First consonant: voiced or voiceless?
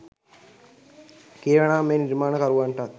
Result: voiceless